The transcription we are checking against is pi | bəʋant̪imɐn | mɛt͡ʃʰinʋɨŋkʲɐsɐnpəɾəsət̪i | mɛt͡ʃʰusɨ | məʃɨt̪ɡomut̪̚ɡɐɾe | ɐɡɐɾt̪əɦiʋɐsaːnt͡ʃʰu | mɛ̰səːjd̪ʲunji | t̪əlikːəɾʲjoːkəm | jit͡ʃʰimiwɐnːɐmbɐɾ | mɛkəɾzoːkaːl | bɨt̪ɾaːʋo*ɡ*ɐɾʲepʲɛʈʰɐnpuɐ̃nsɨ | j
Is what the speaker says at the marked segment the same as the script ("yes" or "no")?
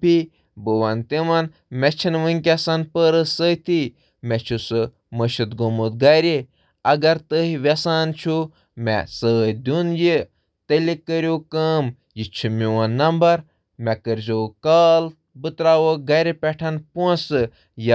yes